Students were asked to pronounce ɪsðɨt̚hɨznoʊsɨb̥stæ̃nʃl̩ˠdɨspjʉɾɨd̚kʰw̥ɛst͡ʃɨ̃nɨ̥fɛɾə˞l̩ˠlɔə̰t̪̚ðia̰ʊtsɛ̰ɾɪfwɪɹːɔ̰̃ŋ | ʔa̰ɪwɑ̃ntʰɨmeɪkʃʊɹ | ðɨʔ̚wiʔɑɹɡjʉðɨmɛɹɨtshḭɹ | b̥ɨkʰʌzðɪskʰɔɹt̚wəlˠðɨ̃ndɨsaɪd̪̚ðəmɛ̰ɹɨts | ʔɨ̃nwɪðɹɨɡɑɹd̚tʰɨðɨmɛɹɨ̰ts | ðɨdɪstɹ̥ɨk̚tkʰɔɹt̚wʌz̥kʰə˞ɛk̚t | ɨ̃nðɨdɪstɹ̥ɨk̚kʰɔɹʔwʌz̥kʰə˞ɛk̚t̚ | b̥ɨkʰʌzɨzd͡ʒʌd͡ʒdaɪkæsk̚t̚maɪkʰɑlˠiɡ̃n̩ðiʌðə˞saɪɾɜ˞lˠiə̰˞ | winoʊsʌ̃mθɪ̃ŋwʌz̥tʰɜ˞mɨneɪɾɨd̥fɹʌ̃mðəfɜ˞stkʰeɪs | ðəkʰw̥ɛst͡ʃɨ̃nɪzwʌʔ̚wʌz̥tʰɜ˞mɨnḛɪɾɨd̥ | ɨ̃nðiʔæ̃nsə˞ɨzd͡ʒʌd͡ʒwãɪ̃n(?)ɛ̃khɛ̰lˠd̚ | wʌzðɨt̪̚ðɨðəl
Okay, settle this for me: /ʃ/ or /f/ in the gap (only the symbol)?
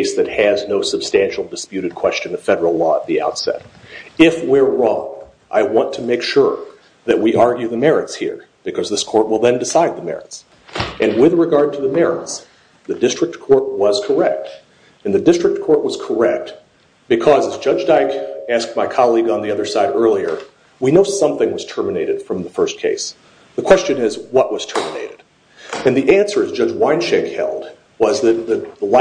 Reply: ʃ